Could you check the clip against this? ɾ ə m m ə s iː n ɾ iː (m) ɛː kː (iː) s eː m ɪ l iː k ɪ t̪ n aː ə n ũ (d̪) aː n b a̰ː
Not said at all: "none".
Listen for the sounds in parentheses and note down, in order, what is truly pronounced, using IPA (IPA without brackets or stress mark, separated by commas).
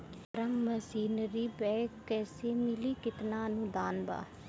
b, ɛː, d̪